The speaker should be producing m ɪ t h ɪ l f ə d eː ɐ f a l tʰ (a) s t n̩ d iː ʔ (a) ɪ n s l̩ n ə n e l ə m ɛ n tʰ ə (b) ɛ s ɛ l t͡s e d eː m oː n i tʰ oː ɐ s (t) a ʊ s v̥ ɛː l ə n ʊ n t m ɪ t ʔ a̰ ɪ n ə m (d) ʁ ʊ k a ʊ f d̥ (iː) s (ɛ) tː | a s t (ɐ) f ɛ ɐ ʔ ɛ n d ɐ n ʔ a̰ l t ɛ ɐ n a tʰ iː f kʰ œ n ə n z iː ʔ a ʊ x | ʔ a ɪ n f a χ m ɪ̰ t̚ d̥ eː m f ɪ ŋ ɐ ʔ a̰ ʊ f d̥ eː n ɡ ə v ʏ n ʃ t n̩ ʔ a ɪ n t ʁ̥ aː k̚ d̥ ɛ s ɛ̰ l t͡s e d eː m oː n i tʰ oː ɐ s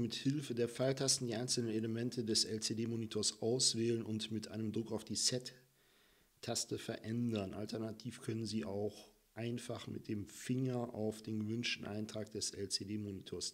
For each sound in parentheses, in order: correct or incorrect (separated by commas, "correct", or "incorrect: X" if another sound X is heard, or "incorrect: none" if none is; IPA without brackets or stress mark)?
correct, correct, incorrect: d, incorrect: ʔ, correct, correct, correct, incorrect: ə